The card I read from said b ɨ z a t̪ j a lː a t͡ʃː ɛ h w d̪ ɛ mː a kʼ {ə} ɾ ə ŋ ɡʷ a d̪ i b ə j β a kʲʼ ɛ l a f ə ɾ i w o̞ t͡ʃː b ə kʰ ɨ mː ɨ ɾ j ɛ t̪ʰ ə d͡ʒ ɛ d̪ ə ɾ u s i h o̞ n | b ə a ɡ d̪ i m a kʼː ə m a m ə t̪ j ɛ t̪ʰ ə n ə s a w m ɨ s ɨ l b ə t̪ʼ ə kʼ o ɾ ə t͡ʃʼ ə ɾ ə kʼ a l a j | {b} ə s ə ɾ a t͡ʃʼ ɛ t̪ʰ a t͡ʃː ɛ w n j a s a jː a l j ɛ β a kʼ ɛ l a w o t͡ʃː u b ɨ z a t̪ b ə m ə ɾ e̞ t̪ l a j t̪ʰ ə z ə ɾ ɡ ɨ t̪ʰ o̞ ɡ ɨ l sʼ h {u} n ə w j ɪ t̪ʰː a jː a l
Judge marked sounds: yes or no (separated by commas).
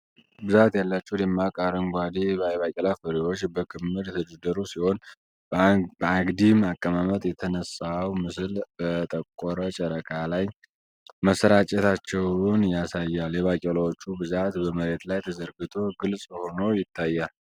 no, no, no